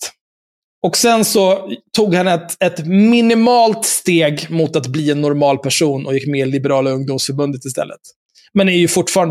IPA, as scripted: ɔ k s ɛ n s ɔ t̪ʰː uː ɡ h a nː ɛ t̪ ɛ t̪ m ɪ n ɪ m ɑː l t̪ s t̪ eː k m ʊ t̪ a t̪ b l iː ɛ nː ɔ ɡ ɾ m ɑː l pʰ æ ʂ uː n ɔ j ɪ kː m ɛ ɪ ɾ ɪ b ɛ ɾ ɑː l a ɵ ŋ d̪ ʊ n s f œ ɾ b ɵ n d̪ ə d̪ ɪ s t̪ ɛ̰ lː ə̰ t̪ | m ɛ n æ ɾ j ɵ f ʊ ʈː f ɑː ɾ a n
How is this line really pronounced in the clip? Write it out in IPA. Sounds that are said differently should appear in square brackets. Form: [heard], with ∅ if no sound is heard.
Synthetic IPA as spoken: ɔ k s ɛ n s ɔ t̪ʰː uː ɡ h a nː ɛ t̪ ɛ t̪ m ɪ n ɪ m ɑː l t̪ s t̪ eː [ɡ] m ʊ t̪ a t̪ b l iː ɛ nː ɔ [∅] ɾ m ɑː l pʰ æ ʂ uː n ɔ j ɪ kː m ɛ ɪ [l] ɪ b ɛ ɾ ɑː l a ɵ ŋ d̪ ʊ [m] s f œ ɾ b ɵ n d̪ ə [t̪] ɪ s t̪ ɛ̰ lː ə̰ t̪ | m ɛ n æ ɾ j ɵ f ʊ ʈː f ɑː ɾ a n